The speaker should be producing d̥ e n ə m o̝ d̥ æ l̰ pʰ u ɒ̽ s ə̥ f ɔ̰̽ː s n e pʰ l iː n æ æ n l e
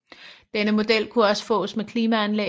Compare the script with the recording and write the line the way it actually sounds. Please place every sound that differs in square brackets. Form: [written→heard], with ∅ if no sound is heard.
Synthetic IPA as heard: d̥ e n ə m o̝ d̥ [æ→e] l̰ [pʰ→kʰ] u ɒ̽ s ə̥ f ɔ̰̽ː s [n→m] e [pʰ→kʰ] l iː [n→m] æ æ n l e